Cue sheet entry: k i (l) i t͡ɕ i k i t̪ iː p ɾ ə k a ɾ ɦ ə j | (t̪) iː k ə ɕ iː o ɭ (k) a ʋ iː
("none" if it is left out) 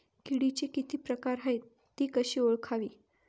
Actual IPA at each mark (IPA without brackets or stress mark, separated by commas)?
ɽ, t̪, kʰ